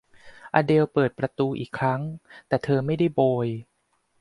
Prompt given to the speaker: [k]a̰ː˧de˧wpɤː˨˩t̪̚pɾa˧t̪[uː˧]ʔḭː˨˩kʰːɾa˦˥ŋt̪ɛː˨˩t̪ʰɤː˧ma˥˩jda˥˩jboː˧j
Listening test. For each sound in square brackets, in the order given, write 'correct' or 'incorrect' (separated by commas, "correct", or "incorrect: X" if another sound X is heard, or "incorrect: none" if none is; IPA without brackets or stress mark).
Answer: incorrect: ʔ, correct